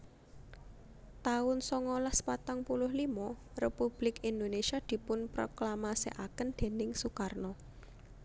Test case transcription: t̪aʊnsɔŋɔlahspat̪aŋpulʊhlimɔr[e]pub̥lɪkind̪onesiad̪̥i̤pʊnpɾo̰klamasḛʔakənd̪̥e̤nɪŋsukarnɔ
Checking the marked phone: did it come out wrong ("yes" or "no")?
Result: no